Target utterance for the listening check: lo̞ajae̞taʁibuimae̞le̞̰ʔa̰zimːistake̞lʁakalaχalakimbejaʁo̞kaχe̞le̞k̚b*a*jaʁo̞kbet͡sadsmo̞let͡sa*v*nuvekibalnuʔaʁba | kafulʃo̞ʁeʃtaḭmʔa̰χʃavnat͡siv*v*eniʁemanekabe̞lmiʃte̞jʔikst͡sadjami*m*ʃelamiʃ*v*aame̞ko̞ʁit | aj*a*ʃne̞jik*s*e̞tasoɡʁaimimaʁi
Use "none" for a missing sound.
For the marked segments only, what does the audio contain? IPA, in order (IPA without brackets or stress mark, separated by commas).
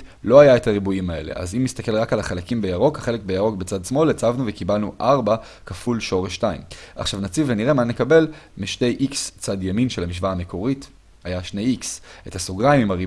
e, v, v, n, v, a, s